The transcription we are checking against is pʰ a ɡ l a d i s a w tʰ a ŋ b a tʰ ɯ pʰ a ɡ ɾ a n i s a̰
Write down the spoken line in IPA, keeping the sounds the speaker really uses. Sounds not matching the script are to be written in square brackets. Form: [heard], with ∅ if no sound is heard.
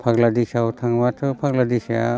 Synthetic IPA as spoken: pʰ a ɡ l a d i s a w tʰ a ŋ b a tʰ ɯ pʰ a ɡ [l] a [d] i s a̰